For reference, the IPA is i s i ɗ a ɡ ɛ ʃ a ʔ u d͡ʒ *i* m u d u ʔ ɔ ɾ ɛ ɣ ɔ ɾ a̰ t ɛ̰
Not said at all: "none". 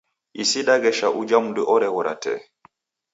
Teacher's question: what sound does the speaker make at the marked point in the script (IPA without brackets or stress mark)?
a